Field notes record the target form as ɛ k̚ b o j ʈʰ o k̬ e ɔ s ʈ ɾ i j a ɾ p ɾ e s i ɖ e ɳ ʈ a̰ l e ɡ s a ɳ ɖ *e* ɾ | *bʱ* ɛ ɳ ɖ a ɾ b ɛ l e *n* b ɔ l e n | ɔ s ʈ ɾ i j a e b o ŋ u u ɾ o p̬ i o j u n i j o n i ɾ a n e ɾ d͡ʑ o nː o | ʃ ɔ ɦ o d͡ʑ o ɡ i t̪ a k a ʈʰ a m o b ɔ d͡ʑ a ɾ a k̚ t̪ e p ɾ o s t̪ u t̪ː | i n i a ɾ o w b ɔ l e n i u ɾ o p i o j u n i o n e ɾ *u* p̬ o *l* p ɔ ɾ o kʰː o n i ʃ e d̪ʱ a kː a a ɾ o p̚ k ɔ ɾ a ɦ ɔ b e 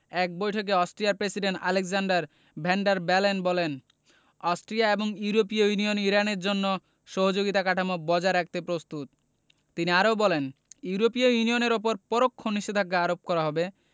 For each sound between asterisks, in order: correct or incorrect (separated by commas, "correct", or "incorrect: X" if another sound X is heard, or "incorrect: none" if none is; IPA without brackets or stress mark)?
incorrect: a, correct, correct, incorrect: o, incorrect: ɾ